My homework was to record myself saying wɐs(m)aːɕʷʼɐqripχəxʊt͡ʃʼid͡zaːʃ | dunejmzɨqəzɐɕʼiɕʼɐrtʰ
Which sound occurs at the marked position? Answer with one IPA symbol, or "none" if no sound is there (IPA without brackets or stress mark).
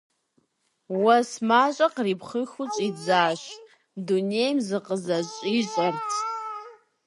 m